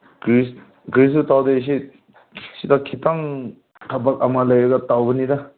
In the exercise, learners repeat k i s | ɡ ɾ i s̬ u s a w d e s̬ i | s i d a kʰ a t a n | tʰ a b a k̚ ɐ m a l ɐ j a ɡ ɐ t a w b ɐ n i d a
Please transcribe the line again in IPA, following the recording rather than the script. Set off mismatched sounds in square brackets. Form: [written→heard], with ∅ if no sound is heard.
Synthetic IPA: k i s | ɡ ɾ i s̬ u [s→t] a w d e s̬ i | s i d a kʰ [a→i] t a [n→ŋ] | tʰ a b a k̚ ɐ m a l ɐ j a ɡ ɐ t a w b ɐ n i d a